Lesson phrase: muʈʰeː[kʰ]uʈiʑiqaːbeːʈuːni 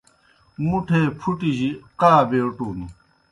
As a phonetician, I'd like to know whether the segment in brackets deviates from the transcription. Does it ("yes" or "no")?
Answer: yes